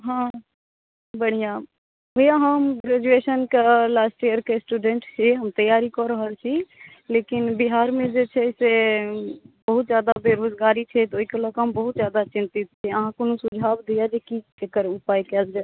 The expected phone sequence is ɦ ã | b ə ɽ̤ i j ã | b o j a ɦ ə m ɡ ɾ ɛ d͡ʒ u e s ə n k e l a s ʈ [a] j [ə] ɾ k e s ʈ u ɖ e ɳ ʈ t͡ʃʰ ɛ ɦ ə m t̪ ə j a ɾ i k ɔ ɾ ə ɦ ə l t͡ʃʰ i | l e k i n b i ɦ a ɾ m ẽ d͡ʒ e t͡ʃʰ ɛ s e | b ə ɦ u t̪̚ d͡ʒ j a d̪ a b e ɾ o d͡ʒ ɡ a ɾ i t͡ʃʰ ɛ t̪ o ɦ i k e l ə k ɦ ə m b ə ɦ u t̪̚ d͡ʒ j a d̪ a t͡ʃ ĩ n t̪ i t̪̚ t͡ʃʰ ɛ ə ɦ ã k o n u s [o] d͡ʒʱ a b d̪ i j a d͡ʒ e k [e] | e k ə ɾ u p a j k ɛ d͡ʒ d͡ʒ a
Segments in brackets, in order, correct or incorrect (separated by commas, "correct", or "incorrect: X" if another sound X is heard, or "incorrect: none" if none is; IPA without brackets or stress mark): incorrect: i, correct, incorrect: u, incorrect: i